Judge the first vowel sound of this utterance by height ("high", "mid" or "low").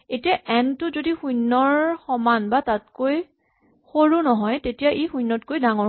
mid